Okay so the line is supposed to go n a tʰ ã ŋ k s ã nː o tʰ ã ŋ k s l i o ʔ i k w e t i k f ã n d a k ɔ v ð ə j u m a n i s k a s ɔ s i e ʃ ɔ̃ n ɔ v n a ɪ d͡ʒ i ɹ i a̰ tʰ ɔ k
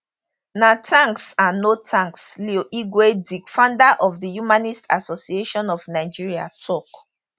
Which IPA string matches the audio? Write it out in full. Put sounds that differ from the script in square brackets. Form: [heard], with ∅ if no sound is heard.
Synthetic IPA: n a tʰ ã ŋ k s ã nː o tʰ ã ŋ k s l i o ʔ i [ɡ] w e [d] i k f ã n d a [ʔ] ɔ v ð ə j u m a n i s [t] a s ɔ s i e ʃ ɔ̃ n ɔ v n a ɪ d͡ʒ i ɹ i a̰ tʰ ɔ k